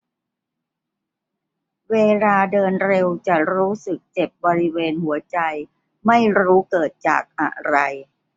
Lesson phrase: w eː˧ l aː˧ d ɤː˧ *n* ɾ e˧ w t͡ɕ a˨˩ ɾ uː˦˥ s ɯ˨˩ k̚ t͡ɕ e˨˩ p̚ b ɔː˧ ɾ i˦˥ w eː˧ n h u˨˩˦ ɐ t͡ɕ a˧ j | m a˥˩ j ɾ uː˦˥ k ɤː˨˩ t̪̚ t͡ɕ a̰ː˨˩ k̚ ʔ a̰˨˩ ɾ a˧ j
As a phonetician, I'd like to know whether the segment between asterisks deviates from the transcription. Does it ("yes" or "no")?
no